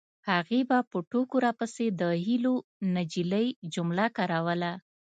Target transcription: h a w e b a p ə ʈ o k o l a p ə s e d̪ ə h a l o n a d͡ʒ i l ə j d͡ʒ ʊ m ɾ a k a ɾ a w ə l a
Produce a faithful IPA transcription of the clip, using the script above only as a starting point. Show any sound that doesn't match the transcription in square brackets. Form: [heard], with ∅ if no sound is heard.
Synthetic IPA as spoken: h a [ɣ] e b a p ə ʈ o k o [ɾ] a p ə s e d̪ ə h [i] l o n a d͡ʒ i l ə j d͡ʒ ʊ m [l] a k a ɾ a w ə l a